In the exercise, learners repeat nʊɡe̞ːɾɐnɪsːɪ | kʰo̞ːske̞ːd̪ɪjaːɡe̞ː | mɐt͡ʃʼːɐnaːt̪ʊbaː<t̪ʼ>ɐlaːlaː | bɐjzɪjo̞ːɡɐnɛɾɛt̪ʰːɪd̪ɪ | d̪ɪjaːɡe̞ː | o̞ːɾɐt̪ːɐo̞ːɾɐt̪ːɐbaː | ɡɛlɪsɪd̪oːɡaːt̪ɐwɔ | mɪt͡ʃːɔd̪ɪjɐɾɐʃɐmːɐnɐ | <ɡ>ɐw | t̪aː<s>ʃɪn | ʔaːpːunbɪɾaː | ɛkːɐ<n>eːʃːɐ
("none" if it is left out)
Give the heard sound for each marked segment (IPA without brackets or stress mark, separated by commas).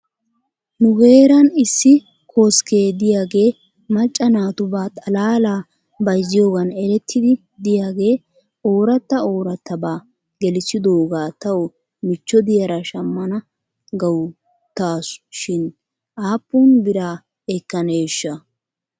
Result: t̪ʼ, ɡ, s, n